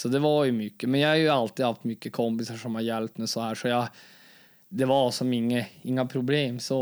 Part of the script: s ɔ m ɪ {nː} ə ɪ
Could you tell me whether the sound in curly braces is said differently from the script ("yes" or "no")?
yes